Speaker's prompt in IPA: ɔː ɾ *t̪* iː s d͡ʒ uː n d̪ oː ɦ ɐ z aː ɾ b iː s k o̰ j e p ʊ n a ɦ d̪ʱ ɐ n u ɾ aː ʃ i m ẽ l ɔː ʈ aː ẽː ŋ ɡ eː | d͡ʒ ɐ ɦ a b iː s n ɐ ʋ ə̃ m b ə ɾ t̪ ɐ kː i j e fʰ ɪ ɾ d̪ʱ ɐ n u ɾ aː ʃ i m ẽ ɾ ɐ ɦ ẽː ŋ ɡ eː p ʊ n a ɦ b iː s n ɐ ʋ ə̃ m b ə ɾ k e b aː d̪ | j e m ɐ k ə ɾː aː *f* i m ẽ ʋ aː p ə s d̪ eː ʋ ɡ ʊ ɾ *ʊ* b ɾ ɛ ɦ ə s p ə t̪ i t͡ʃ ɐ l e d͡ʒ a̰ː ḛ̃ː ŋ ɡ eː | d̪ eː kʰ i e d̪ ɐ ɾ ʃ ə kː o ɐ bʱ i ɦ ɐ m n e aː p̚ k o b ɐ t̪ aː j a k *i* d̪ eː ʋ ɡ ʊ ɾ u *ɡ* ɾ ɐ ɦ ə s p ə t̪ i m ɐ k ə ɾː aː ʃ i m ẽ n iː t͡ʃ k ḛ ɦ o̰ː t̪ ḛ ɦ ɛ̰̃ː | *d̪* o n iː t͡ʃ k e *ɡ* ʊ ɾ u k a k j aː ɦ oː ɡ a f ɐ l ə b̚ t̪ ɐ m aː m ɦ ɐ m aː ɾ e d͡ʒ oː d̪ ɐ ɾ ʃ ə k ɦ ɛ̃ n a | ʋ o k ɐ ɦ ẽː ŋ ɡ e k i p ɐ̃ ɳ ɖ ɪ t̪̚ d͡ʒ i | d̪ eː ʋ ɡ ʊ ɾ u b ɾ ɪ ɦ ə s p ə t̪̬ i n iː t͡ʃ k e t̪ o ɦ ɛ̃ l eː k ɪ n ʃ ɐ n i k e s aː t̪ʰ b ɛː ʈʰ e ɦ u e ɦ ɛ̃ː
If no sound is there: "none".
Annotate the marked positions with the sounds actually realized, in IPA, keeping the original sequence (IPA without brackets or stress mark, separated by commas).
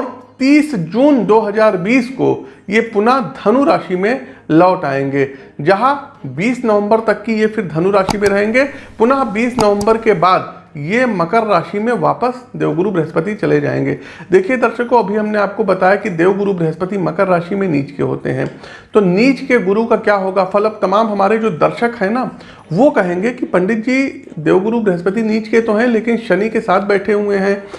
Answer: t̪, ʃ, u, i, b, t̪, ɡ